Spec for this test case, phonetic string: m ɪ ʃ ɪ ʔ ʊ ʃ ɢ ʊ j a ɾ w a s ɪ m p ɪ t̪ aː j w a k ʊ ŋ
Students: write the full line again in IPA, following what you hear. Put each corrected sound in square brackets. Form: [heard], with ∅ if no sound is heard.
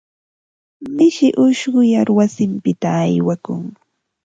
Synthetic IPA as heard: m ɪ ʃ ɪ ʔ ʊ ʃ ɢ ʊ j a ɾ w a s ɪ m p ɪ t̪ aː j w a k ʊ ŋ